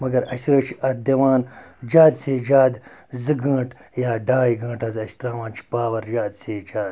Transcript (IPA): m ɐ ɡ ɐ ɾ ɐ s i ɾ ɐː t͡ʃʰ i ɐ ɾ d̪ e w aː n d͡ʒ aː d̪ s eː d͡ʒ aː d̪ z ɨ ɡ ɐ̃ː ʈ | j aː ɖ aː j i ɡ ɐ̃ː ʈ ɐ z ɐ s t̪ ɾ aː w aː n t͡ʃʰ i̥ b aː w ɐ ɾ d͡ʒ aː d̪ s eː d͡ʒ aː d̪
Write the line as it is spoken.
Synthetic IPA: m ɐ ɡ ɐ ɾ ɐ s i ɾ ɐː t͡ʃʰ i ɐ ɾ d̪ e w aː n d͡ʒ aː d̪ s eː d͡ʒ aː d̪ z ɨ ɡ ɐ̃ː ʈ | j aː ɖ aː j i ɡ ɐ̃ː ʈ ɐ z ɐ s t̪ ɾ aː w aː n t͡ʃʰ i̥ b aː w ɐ ɾ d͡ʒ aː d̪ s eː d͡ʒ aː d̪